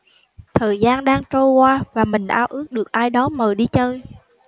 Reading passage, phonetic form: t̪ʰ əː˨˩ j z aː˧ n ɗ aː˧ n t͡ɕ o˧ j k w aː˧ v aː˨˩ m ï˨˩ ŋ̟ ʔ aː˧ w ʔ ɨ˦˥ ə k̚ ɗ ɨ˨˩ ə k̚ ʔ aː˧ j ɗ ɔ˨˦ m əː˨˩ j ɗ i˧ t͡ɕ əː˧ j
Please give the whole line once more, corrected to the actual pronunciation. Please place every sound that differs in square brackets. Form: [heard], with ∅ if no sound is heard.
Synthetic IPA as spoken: t̪ʰ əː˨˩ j z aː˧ n ɗ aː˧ [ŋ] t͡ɕ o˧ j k w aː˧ v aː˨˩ m ï˨˩ ŋ̟ ʔ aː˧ w ʔ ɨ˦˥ ə k̚ ɗ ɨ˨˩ ə k̚ ʔ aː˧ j ɗ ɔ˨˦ m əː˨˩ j ɗ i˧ t͡ɕ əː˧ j